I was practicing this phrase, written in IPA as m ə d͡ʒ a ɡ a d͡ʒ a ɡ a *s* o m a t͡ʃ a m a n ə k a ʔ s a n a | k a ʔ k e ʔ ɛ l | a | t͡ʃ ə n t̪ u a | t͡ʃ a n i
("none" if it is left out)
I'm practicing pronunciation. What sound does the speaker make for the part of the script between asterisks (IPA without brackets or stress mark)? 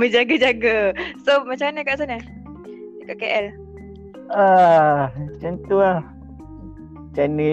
s